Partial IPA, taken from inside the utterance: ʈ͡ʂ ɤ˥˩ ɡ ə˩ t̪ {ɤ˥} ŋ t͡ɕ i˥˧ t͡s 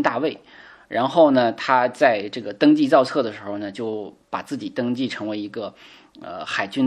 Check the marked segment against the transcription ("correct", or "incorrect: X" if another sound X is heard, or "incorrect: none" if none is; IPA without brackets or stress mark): correct